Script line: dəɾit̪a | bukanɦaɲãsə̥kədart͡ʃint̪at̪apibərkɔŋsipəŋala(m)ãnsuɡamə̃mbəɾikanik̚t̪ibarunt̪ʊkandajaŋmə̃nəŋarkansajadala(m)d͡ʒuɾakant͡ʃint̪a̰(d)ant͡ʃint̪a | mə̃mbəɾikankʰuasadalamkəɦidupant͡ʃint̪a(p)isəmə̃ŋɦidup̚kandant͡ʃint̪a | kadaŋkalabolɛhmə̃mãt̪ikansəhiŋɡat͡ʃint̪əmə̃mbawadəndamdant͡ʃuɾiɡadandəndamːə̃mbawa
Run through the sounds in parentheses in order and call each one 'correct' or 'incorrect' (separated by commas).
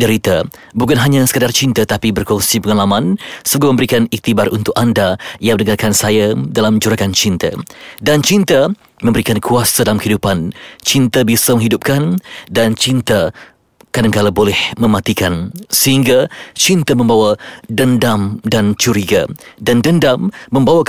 correct, correct, correct, incorrect